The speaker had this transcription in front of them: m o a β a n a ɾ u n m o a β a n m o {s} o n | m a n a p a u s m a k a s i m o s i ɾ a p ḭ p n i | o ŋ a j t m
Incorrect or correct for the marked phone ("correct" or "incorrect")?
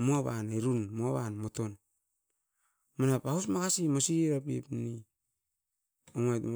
incorrect